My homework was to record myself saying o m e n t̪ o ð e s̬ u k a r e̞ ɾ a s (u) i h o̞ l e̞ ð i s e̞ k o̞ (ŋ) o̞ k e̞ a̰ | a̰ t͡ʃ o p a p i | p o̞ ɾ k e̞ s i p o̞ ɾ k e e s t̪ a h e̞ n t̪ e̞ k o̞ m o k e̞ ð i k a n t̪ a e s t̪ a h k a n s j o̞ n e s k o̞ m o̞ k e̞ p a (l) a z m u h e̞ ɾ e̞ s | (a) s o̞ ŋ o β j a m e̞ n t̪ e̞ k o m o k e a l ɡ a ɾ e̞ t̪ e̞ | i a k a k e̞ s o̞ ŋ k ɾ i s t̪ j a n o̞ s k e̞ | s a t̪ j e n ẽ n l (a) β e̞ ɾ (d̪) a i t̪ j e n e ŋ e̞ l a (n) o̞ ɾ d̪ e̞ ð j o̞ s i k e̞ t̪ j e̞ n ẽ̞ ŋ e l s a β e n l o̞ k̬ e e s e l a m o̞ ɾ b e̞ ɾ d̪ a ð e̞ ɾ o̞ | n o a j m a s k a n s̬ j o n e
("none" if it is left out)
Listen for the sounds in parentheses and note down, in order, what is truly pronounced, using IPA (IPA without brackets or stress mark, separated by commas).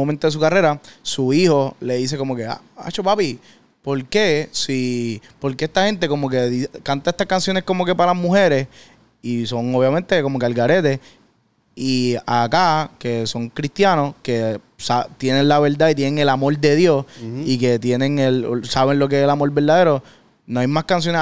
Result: u, m, l, i, a, d̪, m